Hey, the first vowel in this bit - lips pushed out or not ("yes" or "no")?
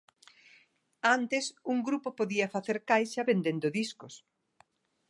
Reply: no